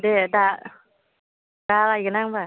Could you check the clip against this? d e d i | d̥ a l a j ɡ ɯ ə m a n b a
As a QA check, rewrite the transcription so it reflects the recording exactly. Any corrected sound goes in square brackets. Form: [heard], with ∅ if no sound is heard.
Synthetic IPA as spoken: d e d [a] | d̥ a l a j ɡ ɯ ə [n] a [ŋ] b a